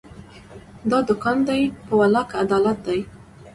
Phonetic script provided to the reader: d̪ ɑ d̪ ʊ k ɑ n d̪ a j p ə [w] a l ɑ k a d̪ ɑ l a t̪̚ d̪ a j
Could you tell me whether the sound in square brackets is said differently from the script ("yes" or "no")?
no